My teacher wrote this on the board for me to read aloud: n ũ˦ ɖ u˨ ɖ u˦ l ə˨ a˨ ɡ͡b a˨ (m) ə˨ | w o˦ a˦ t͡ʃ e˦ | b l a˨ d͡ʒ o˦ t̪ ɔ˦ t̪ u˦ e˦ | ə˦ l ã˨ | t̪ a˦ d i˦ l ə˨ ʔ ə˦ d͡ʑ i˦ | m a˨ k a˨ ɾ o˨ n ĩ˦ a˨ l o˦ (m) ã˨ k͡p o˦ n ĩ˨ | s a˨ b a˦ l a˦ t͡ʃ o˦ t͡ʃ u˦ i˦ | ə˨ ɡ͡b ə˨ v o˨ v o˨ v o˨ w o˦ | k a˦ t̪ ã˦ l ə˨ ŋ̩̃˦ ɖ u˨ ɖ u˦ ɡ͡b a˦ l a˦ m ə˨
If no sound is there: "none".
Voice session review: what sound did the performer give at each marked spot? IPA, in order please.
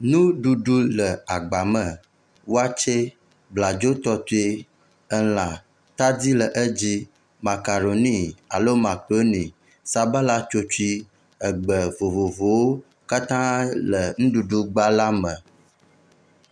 m, m

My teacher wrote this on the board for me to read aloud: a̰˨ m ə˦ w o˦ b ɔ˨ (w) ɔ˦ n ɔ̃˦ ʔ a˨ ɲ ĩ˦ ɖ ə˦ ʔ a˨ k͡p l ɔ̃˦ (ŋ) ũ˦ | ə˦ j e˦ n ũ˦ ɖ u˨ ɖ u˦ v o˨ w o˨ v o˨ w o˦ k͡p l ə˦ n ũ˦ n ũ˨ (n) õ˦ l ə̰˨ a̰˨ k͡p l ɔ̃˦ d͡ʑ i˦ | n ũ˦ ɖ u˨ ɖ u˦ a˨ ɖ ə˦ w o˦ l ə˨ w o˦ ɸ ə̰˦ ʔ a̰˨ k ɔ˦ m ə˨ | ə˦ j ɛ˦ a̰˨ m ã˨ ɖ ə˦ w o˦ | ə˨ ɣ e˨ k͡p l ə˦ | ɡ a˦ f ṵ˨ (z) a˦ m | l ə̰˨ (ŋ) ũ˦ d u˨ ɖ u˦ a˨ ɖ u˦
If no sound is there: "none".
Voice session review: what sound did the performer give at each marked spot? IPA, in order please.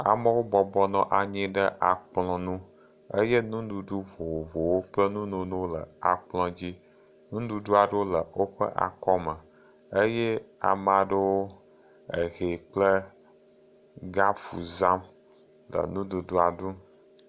b, n, n, z, n

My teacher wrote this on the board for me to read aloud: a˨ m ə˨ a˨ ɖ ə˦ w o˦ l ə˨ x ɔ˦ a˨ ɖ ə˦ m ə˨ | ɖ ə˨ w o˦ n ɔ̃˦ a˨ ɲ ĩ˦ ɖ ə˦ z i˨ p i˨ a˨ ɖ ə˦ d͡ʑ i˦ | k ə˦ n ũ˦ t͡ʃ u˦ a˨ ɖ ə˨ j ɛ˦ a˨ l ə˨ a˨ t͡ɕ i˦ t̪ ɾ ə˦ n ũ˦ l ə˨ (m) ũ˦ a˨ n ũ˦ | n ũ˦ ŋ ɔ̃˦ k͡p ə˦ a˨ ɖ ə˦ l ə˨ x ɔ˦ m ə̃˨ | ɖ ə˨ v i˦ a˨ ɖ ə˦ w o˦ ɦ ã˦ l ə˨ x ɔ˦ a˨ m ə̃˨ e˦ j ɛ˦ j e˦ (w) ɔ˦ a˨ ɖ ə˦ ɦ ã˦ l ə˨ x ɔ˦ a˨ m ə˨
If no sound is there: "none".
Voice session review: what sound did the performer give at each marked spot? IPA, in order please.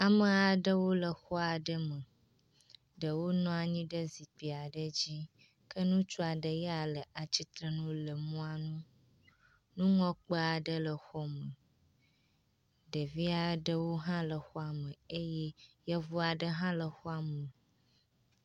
m, v

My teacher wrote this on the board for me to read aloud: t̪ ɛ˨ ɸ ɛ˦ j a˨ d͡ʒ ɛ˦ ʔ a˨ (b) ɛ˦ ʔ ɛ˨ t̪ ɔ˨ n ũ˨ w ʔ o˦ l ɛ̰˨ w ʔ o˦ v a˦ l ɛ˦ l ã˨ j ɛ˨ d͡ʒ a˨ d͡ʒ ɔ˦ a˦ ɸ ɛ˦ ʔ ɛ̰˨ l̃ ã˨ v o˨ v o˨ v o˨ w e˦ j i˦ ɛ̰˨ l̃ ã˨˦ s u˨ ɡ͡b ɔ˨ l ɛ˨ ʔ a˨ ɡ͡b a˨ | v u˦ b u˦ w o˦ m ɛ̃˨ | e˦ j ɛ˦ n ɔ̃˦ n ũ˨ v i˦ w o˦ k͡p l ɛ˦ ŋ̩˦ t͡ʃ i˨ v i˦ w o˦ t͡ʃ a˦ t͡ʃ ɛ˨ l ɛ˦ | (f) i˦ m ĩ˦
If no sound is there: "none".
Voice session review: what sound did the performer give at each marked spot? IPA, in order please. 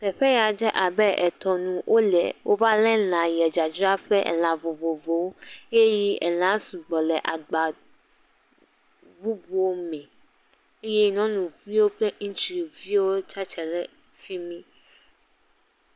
b, f

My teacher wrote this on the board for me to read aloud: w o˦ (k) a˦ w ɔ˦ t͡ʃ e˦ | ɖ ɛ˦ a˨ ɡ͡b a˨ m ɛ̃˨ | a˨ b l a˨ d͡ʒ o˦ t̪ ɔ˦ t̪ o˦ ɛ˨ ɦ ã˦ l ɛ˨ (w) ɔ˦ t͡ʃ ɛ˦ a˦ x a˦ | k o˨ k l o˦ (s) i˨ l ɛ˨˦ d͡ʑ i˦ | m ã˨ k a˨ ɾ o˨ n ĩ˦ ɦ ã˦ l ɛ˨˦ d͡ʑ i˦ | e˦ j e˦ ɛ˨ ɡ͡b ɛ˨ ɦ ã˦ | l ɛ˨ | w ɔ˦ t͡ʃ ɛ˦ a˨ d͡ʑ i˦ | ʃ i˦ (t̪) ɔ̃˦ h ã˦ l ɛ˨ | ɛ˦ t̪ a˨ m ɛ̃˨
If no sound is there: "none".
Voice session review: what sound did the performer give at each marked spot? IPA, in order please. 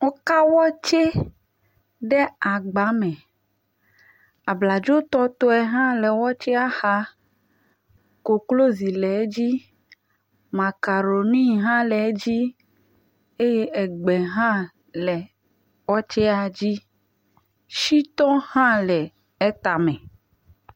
k, w, z, t̪

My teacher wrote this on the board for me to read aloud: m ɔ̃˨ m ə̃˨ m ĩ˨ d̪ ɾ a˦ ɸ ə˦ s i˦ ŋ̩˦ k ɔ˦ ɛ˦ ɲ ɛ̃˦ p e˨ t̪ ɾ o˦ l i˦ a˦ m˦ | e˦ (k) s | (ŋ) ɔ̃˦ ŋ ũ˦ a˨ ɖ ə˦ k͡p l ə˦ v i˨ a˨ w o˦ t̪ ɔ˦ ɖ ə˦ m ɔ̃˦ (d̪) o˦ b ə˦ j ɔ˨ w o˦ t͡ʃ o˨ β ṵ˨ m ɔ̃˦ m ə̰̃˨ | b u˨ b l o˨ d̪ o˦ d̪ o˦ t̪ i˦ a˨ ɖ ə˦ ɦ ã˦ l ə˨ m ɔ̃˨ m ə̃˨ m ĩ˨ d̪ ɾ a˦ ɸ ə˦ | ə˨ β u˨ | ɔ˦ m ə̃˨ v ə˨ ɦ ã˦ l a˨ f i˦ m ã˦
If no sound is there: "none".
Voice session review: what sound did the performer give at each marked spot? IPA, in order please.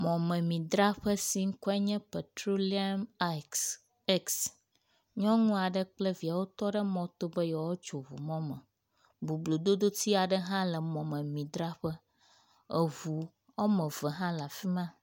k, ɲ, t̪

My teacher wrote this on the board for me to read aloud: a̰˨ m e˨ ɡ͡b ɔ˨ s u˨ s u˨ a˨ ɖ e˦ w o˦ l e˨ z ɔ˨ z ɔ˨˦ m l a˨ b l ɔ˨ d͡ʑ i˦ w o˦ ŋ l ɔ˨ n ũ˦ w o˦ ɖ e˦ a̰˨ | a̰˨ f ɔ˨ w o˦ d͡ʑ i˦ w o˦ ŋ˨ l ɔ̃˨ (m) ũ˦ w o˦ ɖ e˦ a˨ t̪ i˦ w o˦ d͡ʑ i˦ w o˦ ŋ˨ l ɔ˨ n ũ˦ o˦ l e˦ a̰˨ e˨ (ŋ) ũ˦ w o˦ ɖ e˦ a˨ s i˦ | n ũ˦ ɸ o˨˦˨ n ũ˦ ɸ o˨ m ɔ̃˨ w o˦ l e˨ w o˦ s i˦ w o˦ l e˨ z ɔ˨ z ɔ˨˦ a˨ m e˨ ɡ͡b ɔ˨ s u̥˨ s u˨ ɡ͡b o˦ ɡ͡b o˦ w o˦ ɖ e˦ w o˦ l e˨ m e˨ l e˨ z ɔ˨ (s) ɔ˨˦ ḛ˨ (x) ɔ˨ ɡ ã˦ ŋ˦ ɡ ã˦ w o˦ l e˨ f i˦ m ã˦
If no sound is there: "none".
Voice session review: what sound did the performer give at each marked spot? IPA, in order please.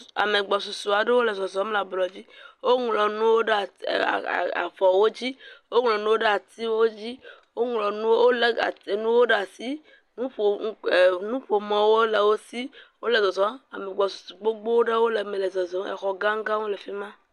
n, n, z, x

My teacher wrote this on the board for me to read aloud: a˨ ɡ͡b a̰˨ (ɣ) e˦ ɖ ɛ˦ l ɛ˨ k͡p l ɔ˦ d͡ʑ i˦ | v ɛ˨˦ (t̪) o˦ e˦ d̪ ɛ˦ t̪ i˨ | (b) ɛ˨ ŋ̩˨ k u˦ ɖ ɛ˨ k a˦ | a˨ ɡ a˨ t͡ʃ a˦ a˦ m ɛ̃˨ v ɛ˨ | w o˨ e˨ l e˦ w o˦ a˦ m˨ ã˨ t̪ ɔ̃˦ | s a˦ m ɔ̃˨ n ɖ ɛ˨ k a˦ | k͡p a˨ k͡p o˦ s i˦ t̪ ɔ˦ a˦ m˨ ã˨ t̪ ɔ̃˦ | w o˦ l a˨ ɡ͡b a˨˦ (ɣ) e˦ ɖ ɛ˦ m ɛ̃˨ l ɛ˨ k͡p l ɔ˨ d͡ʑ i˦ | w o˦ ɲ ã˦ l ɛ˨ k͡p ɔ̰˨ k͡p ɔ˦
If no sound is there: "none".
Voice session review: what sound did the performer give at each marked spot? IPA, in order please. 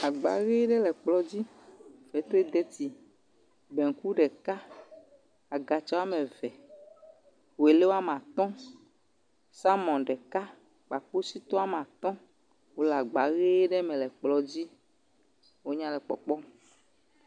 ɣ, t̪, b, ɣ

